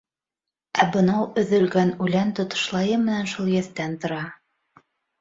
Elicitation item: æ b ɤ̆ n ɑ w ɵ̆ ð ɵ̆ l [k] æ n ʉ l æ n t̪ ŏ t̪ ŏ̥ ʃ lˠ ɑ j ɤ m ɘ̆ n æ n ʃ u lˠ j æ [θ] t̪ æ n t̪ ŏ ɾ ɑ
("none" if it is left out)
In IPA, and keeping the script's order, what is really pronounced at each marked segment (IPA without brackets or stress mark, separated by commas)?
ɡ, θ